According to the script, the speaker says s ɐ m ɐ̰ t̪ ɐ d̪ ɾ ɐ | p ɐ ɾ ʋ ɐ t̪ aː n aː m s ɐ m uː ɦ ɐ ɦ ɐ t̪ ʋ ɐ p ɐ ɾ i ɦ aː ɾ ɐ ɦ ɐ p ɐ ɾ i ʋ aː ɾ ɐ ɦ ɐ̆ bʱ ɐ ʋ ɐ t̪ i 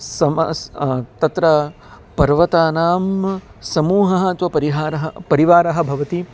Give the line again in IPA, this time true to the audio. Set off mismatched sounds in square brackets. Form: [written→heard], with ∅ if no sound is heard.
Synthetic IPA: s ɐ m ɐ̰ t̪ ɐ [d̪→t̪] ɾ ɐ | p ɐ ɾ ʋ ɐ t̪ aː n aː m s ɐ m uː ɦ ɐ ɦ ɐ t̪ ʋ ɐ p ɐ ɾ i ɦ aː ɾ ɐ ɦ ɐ p ɐ ɾ i ʋ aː ɾ ɐ ɦ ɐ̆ bʱ ɐ ʋ ɐ t̪ i

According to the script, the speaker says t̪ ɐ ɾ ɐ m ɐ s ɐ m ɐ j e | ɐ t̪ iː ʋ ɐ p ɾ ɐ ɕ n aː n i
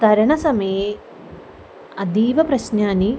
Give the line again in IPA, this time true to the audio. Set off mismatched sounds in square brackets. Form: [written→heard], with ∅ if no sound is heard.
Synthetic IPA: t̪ ɐ ɾ ɐ [m→ɳ] ɐ s ɐ m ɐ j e | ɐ [t̪→d̪] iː ʋ ɐ p ɾ ɐ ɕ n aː n i

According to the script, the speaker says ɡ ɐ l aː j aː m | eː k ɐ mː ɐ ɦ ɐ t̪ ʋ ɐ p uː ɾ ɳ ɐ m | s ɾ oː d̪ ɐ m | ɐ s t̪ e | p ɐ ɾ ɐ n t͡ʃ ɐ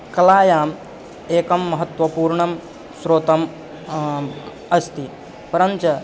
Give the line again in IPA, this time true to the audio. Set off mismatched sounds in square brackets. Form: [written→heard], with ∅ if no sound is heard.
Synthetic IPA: [ɡ→k] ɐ l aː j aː m | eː k ɐ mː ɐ ɦ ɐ t̪ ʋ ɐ p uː ɾ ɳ ɐ m | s ɾ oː [d̪→t̪] ɐ m | ɐ s t̪ [e→i] | p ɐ ɾ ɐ n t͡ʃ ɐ

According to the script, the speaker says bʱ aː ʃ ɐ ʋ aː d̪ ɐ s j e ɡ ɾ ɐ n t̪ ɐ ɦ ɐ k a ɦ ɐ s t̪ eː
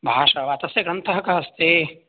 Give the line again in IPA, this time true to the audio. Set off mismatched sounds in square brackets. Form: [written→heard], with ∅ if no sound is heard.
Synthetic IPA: bʱ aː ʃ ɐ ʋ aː [d̪→t̪] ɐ s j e ɡ ɾ ɐ n t̪ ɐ ɦ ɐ k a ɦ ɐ s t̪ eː

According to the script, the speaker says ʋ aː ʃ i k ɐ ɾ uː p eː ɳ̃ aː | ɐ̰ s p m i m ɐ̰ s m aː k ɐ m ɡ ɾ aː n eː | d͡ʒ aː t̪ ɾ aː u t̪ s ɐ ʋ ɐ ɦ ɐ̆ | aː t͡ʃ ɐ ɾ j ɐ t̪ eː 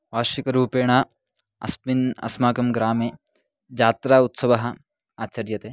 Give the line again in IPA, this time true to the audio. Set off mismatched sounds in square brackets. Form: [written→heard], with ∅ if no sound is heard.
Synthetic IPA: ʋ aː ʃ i k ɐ ɾ uː p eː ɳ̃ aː | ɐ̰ s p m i [m→n] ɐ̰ s m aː k ɐ m ɡ ɾ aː [n→m] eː | d͡ʒ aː t̪ ɾ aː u t̪ s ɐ ʋ ɐ ɦ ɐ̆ | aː t͡ʃ ɐ ɾ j ɐ t̪ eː

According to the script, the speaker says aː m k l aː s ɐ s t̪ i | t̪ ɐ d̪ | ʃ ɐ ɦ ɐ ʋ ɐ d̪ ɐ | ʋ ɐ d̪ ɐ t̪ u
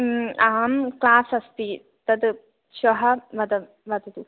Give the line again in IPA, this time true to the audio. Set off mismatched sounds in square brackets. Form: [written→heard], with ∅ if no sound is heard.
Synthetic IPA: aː m k l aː s ɐ s t̪ i | t̪ ɐ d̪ | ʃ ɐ ɦ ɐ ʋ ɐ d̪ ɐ | ʋ ɐ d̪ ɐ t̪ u

